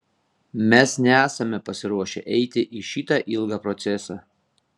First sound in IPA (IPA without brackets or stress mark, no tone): mʲ